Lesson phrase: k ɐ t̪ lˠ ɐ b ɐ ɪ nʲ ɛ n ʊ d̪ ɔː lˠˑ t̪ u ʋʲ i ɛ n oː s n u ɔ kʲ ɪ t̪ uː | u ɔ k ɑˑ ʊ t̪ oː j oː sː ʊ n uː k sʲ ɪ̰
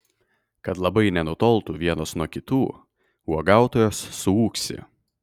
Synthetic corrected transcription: k ɐ t̪ lˠ ɐ b ɐ ɪ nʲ ɛ n ʊ t̪ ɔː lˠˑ t̪ u ʋʲ i ɛ n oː s n u ɔ kʲ ɪ t̪ uː | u ɔ ɡ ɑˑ ʊ t̪ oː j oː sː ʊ uː k sʲ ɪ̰